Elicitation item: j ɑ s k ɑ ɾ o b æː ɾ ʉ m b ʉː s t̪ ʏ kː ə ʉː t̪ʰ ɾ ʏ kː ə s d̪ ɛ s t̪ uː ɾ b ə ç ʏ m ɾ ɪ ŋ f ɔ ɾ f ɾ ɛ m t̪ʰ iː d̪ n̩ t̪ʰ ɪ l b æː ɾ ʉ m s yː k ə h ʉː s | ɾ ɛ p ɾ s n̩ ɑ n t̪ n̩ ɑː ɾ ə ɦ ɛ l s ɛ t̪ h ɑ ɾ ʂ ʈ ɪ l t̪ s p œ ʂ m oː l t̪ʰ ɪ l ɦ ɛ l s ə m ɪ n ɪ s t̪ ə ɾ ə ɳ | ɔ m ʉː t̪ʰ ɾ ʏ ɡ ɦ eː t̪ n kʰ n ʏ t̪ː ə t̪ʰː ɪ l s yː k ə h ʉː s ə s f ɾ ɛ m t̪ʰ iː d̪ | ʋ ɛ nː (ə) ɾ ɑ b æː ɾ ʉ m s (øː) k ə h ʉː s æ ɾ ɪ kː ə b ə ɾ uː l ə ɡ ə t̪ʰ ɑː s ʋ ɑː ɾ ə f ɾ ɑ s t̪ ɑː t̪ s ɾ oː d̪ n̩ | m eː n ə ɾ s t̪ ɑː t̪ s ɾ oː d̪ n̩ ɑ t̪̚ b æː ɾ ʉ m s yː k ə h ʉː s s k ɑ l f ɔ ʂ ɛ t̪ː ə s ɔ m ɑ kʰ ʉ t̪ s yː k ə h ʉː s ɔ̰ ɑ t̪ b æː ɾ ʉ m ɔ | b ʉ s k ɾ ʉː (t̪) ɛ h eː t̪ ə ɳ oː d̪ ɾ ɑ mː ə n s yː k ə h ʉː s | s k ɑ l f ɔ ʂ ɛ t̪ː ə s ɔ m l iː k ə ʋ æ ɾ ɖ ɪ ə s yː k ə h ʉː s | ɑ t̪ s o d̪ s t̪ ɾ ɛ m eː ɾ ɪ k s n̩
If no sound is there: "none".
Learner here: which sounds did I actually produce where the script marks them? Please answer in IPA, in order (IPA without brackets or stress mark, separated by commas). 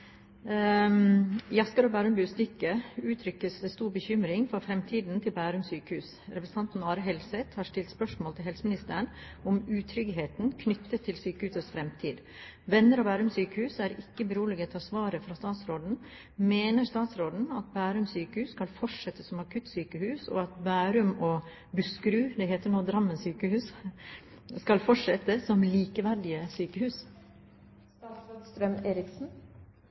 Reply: ə, yː, d̪